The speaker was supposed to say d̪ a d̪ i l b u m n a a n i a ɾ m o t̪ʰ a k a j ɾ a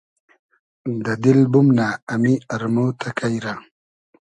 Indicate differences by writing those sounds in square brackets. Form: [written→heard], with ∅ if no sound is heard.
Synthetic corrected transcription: d̪ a d̪ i l b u m n a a [n→m] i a ɾ m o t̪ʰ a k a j ɾ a